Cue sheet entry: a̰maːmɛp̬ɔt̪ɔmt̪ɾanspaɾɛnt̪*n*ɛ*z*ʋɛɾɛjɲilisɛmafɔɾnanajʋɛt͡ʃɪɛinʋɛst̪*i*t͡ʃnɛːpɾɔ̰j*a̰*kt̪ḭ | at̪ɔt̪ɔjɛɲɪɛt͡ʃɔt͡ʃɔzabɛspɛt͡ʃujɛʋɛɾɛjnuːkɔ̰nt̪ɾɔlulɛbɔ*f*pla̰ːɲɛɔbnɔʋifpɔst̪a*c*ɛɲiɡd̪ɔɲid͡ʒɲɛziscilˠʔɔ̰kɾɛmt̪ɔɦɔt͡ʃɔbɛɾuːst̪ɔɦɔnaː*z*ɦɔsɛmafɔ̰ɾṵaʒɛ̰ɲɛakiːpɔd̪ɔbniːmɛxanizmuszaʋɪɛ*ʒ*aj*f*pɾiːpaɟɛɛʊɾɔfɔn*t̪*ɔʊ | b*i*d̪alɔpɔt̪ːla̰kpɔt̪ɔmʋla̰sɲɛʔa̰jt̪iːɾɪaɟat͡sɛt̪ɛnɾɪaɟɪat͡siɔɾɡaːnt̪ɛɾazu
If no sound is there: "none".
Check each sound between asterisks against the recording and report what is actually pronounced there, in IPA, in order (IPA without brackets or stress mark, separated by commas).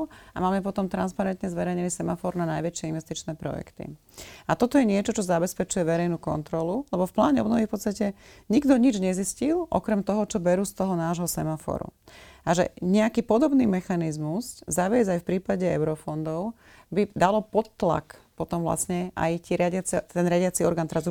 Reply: ɲ, z, i, ɛ̰, f, c, ʒ, z, f, d̪, i